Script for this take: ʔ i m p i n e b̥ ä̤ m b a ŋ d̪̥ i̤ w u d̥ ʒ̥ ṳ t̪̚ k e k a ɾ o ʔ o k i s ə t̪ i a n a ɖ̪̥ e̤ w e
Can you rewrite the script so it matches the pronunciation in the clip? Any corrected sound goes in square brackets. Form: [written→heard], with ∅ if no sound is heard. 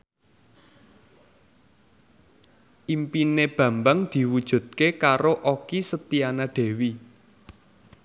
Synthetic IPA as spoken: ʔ i m p i n e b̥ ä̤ m b a ŋ d̪̥ i̤ w u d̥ ʒ̥ ṳ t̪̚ k e k a ɾ o ʔ o k i s ə t̪ i a n a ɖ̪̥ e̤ w [e→i]